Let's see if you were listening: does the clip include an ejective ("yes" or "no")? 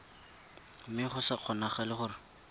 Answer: no